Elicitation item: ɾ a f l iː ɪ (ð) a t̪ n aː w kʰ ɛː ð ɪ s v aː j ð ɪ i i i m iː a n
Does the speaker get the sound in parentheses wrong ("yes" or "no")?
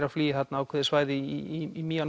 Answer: yes